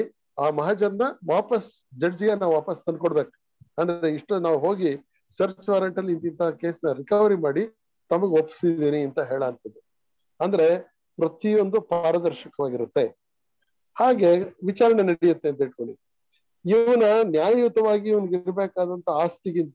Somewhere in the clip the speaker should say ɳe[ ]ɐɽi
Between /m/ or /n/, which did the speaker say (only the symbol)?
n